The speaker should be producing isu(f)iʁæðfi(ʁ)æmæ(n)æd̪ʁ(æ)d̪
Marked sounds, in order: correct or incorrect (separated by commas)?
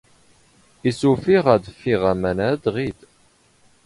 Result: correct, correct, correct, incorrect